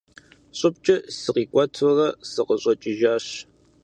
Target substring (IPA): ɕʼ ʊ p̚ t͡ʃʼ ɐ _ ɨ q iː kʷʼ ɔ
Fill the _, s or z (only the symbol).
s